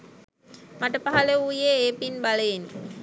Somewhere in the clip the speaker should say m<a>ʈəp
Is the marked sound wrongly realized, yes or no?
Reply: no